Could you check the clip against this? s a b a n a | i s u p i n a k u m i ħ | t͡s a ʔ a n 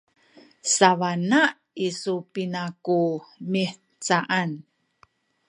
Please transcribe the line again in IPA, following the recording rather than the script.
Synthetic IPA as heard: s a v a n a | i s u p i n a k u m i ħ | t͡s a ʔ a n